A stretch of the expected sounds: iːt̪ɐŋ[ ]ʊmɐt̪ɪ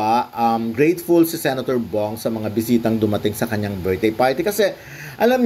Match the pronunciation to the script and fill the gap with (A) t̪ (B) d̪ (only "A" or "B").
B